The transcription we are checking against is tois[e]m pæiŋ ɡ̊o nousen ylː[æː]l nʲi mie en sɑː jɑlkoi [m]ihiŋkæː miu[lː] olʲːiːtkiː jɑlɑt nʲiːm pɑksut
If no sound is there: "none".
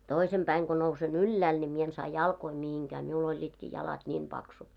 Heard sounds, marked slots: e, æː, m, l

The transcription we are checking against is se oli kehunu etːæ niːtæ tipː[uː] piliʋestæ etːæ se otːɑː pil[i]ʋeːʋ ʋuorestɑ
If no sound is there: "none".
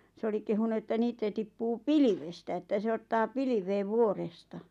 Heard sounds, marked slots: uː, i

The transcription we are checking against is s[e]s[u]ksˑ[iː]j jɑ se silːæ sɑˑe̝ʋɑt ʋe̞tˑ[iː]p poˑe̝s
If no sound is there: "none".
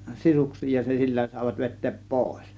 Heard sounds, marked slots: i, u, iː, eː

